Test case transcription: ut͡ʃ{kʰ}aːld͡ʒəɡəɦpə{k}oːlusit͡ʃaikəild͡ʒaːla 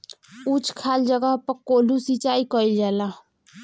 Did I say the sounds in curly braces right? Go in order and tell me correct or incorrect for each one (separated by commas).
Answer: correct, correct